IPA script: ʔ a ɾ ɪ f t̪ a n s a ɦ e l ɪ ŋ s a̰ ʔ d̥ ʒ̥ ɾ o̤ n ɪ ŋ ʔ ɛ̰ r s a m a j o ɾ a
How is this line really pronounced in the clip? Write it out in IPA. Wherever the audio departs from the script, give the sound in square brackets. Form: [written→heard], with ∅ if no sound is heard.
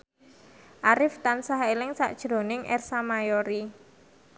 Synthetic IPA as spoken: ʔ a ɾ ɪ f t̪ a n s a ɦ e l ɪ ŋ s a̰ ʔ d̥ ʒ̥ ɾ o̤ n ɪ ŋ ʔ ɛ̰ r s a m a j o ɾ [a→i]

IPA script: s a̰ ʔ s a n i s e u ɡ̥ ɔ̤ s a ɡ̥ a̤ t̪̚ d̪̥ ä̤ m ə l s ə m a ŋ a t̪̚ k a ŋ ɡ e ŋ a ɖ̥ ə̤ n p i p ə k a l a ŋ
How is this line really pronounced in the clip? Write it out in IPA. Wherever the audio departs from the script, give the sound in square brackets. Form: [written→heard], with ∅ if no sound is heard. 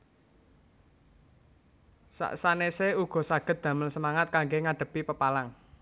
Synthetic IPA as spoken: s a̰ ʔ s a n [i→e] s e u ɡ̥ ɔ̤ s a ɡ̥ [a̤→ə̤] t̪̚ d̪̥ ä̤ m ə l s ə m a ŋ a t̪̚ k a ŋ ɡ e ŋ a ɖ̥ ə̤ [n→∅] p i p ə [k→p] a l a ŋ

